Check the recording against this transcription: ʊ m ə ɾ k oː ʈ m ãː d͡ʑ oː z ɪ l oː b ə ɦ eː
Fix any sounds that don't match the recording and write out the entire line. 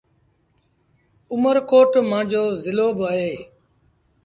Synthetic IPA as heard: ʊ m ə ɾ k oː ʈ m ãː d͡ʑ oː z ɪ l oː b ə ɦ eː